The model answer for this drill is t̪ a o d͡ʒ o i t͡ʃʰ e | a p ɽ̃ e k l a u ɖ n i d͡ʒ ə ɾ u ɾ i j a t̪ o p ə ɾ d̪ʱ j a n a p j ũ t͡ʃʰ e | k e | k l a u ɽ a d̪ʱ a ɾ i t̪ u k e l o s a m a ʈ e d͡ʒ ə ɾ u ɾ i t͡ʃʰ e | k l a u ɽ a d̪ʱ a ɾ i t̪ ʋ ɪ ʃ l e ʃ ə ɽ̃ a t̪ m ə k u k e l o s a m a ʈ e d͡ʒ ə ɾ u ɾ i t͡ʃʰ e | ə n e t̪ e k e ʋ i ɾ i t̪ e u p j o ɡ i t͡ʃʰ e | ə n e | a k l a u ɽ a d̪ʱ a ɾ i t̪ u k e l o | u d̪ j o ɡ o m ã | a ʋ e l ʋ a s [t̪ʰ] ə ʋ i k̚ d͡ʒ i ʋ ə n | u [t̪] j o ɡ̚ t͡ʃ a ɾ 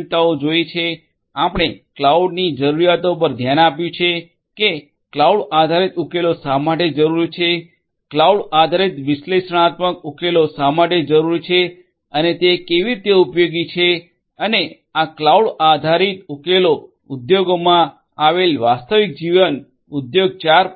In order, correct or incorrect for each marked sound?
incorrect, incorrect

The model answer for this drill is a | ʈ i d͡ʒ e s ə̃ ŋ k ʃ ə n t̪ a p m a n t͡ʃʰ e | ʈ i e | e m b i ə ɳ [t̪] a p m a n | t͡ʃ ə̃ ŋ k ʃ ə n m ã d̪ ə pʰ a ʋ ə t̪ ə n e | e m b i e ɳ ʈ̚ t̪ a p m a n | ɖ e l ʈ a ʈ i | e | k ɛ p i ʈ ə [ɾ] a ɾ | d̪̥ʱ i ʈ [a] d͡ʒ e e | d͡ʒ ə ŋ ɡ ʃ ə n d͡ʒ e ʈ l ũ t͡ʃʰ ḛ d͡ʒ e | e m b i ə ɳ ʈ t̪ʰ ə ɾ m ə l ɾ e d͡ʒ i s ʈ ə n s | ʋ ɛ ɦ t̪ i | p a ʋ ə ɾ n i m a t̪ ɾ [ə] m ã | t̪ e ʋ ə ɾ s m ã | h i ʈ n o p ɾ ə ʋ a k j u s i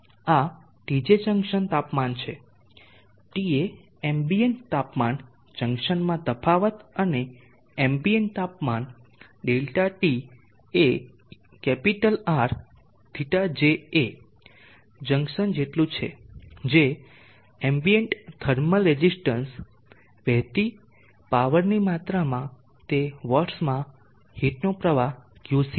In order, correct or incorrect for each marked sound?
correct, incorrect, correct, incorrect

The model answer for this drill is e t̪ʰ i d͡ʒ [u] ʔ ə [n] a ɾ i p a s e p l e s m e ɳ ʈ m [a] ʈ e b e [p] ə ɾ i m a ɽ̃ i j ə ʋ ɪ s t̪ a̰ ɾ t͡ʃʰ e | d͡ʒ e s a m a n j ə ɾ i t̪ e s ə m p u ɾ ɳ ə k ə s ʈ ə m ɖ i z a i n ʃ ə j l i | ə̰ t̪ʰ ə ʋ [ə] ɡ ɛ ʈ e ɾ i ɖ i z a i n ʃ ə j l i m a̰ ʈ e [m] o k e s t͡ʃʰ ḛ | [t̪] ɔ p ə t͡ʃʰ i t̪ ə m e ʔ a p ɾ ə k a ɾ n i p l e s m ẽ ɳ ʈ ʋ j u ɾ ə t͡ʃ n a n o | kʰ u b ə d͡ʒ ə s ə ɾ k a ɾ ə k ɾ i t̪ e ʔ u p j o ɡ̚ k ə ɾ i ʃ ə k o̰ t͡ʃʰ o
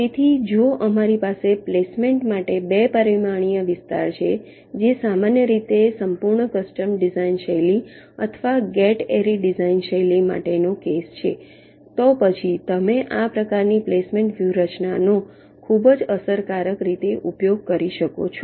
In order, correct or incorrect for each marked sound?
incorrect, incorrect, correct, correct, incorrect, incorrect, correct

